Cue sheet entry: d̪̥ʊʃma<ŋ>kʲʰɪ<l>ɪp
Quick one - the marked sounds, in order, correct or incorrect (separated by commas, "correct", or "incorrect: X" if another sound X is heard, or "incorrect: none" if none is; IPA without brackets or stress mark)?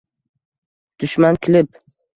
incorrect: n, correct